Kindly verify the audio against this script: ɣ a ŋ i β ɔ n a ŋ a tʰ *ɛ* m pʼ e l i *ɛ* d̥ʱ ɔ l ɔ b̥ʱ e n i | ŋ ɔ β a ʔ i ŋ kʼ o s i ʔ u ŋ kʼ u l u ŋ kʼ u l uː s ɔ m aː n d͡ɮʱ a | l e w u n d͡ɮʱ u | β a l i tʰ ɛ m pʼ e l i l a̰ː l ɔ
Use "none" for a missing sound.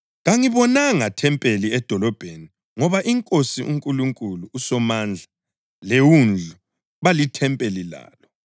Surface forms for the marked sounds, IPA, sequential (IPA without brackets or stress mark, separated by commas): ɛ, ɛ